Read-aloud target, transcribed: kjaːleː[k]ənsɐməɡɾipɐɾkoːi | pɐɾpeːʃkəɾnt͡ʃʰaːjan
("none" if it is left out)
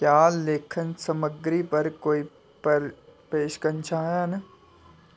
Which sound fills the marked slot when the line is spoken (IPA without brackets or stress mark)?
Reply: kʰ